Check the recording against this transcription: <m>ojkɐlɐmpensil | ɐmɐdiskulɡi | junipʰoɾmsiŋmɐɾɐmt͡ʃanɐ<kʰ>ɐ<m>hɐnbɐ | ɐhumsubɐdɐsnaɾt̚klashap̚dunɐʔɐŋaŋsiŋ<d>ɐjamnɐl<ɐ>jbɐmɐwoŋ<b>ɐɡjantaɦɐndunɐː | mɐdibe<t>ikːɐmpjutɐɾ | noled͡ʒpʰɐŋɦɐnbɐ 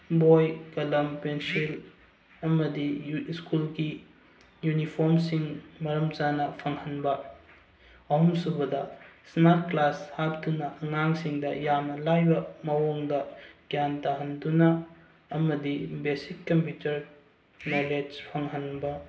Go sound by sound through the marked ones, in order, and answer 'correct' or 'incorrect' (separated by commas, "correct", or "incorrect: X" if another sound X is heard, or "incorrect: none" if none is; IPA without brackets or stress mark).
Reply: incorrect: b, incorrect: pʰ, incorrect: ŋ, correct, incorrect: a, incorrect: d, incorrect: s